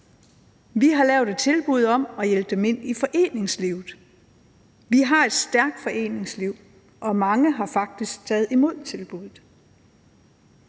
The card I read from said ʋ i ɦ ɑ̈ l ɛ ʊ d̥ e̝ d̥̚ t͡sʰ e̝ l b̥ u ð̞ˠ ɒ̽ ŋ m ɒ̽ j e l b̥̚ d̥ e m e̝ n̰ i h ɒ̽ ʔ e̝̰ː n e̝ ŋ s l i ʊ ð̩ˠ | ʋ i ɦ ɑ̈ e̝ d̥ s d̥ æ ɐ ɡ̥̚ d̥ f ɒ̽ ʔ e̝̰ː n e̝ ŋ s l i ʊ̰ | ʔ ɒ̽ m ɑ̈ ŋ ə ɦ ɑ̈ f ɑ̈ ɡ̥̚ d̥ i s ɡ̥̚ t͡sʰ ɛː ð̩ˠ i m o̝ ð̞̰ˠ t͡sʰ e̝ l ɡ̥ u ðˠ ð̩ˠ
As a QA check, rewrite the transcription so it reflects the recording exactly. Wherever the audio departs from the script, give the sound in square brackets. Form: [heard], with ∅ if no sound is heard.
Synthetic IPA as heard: ʋ i ɦ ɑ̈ l ɛ ʊ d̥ e̝ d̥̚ t͡sʰ e̝ l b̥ u ð̞ˠ ɒ̽ [∅] m ɒ̽ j e l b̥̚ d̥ e m e̝ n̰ i [f] ɒ̽ ʔ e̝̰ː n e̝ ŋ s l i ʊ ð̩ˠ | ʋ i ɦ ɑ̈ e̝ d̥ s d̥ æ ɐ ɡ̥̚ d̥ f ɒ̽ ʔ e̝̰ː n e̝ ŋ s l i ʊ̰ | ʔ ɒ̽ m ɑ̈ ŋ ə ɦ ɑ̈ f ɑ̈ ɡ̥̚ d̥ i s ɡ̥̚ t͡sʰ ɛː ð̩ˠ i m o̝ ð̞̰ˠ t͡sʰ e̝ l [b̥] u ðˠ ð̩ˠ